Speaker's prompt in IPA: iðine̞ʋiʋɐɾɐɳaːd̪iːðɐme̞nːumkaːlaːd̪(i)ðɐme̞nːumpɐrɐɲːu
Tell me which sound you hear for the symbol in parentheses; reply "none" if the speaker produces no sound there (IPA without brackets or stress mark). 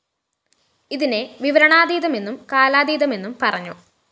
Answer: iː